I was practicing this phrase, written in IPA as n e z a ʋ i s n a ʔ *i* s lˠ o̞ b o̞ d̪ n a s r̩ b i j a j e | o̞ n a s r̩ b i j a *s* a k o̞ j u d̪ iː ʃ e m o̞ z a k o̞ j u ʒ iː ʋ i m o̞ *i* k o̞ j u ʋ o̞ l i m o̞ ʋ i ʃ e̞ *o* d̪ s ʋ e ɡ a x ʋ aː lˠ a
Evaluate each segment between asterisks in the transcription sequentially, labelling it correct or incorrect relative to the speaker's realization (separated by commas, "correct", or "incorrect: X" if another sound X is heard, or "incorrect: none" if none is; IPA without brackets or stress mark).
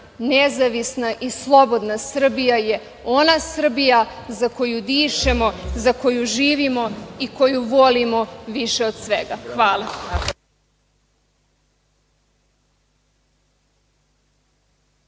correct, incorrect: z, correct, correct